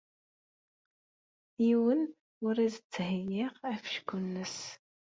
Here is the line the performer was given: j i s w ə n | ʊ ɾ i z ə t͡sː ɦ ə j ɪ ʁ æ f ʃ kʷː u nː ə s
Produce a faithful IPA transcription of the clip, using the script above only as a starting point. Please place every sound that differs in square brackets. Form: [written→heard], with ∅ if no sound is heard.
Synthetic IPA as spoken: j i [s→∅] w ə n | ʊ ɾ i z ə t͡sː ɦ ə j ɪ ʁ æ f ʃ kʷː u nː ə s